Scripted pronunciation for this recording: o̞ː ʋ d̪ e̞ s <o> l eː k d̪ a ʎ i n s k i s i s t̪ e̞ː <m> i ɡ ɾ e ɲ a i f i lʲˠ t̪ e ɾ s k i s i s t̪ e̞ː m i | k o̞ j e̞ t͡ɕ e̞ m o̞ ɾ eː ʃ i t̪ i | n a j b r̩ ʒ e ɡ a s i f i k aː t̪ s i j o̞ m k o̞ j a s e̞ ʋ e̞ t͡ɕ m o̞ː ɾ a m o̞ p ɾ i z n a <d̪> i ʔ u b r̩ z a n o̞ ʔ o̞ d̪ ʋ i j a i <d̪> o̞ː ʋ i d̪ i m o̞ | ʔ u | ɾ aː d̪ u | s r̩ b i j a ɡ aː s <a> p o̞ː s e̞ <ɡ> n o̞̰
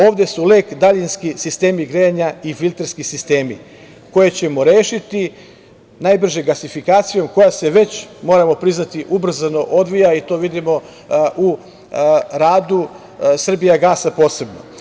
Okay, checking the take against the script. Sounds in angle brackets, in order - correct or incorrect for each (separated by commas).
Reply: incorrect, correct, incorrect, incorrect, correct, incorrect